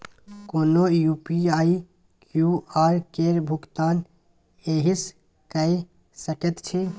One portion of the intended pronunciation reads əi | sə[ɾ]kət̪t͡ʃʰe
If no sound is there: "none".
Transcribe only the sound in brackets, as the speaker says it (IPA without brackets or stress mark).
none